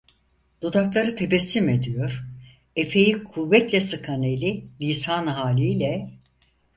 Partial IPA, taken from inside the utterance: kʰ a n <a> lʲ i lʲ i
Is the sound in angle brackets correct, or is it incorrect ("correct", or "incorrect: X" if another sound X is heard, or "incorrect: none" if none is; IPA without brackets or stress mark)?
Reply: incorrect: e